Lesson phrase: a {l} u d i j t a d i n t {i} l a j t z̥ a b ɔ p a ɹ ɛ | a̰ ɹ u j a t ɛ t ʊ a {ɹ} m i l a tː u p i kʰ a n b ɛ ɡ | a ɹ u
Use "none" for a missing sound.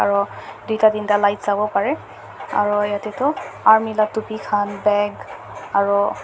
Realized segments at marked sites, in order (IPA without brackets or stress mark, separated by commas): ɹ, a, ɹ